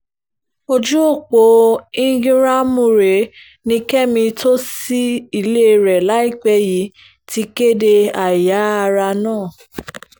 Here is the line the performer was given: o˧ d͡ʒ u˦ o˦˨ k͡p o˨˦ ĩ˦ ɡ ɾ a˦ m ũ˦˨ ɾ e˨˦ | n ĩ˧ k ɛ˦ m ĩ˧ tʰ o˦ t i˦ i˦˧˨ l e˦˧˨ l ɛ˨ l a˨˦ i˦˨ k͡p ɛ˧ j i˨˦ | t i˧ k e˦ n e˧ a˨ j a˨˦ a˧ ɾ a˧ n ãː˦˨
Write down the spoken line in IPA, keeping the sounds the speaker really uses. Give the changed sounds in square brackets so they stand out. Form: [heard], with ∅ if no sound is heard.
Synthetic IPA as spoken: o˧ d͡ʒ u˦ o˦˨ k͡p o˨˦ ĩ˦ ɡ ɾ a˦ m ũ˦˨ ɾ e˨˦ | n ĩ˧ k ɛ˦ m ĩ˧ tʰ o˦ [s] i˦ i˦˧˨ l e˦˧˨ [ɾ] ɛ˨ l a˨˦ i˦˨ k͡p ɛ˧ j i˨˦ | t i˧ k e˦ [d] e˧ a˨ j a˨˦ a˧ ɾ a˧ n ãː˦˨

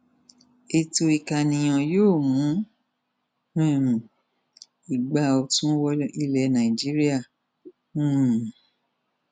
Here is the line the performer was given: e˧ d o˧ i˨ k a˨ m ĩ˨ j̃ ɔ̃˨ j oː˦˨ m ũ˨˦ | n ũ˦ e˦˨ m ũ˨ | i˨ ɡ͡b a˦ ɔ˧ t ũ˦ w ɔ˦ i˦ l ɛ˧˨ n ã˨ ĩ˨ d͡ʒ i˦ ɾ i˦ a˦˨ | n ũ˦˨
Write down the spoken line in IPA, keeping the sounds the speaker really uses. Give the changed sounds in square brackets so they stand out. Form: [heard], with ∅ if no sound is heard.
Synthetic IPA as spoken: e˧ [t] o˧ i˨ k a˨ [n] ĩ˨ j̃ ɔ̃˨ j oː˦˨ m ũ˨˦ | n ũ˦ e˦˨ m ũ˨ | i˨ ɡ͡b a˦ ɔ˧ t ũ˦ w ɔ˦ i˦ l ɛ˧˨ n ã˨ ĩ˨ d͡ʒ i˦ ɾ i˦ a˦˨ | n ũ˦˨

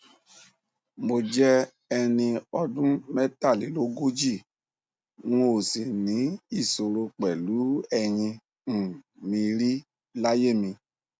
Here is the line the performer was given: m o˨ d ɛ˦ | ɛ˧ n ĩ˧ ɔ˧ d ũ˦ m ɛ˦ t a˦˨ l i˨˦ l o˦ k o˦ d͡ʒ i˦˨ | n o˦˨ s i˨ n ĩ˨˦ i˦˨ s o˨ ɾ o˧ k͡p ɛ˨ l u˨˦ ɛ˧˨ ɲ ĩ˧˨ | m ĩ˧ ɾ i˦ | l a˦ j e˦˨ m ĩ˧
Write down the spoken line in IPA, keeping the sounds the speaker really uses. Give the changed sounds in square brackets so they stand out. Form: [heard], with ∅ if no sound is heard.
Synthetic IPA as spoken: m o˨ [d͡ʒ] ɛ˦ | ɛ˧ n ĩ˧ ɔ˧ d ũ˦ m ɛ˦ t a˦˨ l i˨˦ l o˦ [ɡ] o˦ d͡ʒ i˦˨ | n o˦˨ s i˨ n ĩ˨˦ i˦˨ s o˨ ɾ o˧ k͡p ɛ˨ l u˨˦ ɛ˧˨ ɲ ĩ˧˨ | m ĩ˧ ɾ i˦ | l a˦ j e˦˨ m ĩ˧

